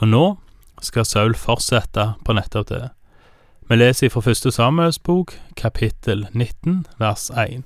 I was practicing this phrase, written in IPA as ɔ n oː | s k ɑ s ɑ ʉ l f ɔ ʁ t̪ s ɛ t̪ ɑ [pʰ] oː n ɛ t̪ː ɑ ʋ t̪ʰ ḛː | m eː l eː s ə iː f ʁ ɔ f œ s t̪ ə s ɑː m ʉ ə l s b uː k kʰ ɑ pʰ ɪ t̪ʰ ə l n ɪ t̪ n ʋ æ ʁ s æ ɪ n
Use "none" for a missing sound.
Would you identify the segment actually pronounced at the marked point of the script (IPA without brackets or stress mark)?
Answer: pʰ